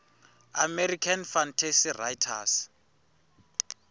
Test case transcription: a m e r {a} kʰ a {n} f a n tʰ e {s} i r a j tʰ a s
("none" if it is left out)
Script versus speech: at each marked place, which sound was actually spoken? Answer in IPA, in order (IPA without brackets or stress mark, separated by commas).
i, n, s